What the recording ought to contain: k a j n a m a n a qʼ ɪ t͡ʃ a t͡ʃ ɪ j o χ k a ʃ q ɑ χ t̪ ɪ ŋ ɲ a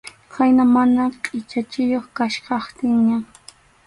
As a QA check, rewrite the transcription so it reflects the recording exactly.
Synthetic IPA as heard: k a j n a m a n a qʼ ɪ t͡ʃ a t͡ʃ ɪ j o χ k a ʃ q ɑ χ t̪ ɪ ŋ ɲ a